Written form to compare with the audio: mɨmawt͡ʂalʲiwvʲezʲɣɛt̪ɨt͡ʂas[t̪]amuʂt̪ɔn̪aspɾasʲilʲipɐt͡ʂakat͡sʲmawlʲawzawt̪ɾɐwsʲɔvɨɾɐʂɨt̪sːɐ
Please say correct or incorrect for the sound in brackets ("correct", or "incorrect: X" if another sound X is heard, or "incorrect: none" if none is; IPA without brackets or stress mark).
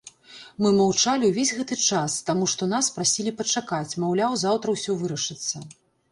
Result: correct